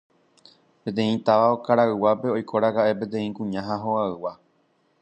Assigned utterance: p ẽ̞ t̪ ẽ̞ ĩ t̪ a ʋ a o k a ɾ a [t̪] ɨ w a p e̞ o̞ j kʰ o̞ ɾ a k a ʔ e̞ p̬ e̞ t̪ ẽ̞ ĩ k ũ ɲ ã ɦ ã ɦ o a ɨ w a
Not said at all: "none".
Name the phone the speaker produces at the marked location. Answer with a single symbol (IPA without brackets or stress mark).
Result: none